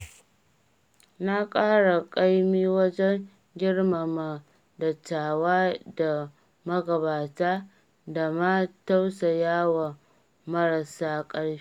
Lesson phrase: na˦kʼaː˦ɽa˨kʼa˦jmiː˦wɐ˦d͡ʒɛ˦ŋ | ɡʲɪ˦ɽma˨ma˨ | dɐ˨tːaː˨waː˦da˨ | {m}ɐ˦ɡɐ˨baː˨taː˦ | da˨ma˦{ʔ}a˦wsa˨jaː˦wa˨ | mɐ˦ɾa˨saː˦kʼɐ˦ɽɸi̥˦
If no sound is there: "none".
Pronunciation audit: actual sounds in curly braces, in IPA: m, t

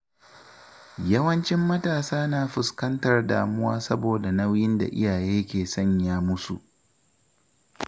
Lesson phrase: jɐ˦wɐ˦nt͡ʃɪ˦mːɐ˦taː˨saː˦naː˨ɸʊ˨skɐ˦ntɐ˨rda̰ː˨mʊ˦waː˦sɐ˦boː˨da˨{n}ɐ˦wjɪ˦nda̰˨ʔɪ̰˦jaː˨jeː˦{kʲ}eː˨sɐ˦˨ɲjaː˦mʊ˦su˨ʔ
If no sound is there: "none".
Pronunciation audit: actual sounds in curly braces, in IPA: n, kʲ

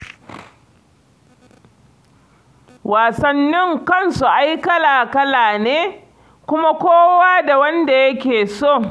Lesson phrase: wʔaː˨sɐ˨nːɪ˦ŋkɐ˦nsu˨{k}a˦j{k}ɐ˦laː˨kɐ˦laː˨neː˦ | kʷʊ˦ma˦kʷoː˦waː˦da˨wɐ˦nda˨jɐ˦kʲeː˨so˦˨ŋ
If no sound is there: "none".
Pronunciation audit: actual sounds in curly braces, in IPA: ʔ, k

